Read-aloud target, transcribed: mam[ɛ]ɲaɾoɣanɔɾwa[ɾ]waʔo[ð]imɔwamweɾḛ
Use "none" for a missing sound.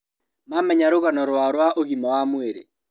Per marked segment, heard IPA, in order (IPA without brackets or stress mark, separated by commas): ɛ, ɾ, ɣ